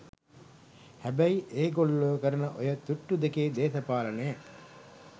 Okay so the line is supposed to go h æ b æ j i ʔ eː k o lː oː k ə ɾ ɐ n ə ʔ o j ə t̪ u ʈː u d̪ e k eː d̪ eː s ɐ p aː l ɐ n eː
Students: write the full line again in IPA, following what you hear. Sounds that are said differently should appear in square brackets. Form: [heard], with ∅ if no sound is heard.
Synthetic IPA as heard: h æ b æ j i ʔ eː [ɡ] o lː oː k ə ɾ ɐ n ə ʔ o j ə t̪ u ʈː u d̪ e k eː d̪ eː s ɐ p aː l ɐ n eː

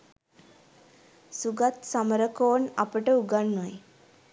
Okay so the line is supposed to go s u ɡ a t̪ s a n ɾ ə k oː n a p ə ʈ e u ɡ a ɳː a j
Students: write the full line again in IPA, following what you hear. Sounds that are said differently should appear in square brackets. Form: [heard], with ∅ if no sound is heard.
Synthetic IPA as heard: s u ɡ a t̪ s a [m] ɾ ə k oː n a p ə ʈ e u ɡ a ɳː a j

